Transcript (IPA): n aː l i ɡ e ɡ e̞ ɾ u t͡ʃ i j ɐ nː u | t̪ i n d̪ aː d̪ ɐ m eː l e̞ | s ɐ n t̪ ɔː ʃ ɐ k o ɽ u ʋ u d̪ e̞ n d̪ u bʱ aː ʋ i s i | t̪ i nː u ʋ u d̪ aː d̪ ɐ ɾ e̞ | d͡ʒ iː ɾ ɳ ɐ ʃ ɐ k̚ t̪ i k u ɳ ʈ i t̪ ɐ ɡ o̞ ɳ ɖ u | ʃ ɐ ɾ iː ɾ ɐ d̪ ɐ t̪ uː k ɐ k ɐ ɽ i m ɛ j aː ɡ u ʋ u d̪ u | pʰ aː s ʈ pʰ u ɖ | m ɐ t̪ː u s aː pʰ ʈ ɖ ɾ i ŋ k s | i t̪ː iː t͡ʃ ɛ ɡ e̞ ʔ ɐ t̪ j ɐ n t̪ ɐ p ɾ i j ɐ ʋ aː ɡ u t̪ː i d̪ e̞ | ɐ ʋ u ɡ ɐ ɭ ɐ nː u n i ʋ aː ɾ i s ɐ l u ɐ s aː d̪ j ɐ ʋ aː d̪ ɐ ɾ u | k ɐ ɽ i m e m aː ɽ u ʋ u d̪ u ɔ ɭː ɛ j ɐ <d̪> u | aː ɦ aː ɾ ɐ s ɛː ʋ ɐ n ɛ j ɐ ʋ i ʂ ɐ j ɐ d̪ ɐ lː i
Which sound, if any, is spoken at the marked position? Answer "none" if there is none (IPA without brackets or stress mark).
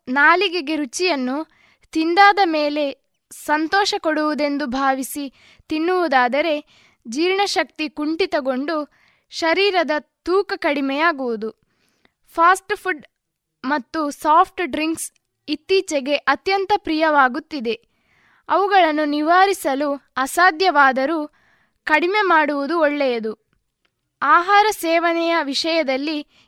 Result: d̪